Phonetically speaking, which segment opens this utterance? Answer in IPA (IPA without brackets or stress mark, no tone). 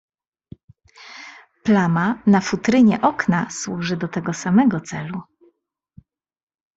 p